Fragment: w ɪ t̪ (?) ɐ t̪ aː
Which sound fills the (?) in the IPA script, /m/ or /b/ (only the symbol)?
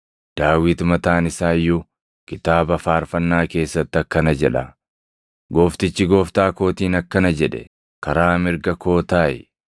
m